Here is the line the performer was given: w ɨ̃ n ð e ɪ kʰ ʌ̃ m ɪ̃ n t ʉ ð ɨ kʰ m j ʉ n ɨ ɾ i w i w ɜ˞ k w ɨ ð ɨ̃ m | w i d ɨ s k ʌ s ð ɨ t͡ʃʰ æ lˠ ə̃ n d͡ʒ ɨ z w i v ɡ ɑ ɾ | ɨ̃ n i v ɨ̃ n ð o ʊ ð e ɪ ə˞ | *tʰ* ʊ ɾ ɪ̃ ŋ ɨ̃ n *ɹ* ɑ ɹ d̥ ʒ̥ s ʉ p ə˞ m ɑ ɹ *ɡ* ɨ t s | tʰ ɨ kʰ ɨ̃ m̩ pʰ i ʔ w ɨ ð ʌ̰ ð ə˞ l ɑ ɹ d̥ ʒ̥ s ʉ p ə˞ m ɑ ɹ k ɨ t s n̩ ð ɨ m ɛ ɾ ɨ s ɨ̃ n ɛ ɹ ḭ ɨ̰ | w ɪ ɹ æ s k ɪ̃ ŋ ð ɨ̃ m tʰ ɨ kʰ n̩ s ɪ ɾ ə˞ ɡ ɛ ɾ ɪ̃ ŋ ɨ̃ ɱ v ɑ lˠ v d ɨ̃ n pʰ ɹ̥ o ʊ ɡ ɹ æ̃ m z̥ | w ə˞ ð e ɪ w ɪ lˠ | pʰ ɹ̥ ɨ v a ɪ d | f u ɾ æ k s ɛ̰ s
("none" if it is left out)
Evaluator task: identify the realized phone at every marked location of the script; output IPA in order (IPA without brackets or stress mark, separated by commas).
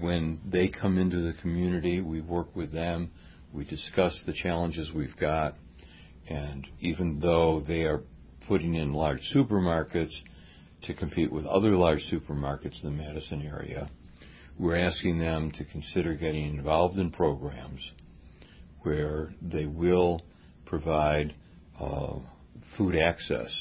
pʰ, l, k